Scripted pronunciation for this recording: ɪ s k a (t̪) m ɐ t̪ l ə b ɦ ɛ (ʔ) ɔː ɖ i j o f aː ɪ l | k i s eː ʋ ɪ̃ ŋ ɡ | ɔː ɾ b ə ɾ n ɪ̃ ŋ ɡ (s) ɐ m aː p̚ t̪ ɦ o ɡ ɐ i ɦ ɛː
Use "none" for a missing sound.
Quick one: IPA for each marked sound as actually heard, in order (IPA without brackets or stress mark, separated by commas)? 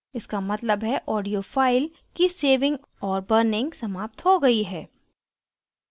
none, ʔ, s